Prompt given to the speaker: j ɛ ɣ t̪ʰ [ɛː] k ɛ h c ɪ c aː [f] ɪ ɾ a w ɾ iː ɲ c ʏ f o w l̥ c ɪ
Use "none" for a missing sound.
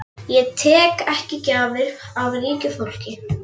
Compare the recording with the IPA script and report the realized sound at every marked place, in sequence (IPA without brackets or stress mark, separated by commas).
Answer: ɛː, v